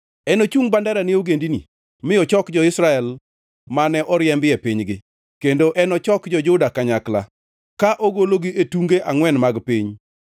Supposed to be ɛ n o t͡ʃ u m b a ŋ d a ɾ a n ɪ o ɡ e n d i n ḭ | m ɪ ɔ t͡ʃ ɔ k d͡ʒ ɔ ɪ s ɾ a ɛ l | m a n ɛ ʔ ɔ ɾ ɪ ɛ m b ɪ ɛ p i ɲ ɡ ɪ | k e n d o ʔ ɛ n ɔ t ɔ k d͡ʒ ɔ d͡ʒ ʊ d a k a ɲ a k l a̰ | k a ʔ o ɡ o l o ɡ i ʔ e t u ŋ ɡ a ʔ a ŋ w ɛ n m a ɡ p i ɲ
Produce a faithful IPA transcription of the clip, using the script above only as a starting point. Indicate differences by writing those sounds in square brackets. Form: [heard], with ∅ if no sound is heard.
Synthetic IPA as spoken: ɛ n o t͡ʃ u [ŋ] b a [n] d a ɾ a n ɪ o ɡ e n d i n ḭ | m ɪ ɔ t͡ʃ ɔ k d͡ʒ ɔ ɪ s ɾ a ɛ l | m a n ɛ ʔ ɔ ɾ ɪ ɛ m b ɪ ɛ p i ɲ ɡ ɪ | k e n d o ʔ ɛ n ɔ [t͡ʃ] ɔ k d͡ʒ ɔ d͡ʒ ʊ d a k a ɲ a k l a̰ | k a ʔ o ɡ o l o ɡ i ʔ e t u ŋ ɡ [e] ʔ a ŋ w ɛ n m a ɡ p i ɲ